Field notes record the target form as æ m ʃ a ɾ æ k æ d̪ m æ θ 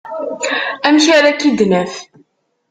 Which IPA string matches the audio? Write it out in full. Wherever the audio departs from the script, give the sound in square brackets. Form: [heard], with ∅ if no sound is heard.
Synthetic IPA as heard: æ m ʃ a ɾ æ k [i] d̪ [n] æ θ